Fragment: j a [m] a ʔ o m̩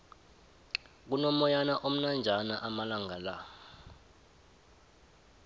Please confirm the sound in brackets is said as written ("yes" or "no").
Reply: no